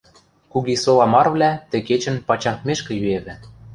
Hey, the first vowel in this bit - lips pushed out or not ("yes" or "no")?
yes